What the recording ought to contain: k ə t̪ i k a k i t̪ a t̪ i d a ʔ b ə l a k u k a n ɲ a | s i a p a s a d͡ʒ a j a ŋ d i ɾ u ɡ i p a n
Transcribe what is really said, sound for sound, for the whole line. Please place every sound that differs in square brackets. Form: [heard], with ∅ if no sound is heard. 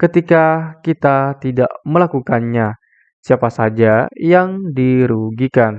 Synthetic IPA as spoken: k ə t̪ i k a k i t̪ a t̪ i d a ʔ [m] ə l a k u k a n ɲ a | s i a p a s a d͡ʒ a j a ŋ d i ɾ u ɡ i [k] a n